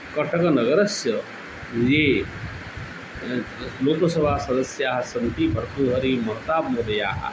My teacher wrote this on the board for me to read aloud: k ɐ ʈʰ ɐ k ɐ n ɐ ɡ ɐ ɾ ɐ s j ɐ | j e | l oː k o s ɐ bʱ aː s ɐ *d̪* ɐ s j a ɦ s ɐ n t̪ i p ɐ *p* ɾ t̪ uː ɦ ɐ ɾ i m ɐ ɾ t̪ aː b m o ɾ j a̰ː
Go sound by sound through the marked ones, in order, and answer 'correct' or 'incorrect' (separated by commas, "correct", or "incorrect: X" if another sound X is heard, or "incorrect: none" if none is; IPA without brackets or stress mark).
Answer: correct, incorrect: none